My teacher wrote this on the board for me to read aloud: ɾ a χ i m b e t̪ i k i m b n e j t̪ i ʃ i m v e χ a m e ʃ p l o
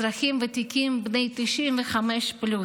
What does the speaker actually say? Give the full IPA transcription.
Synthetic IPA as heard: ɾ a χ i m v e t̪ i k i m b n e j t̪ i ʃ i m v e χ a m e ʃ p l u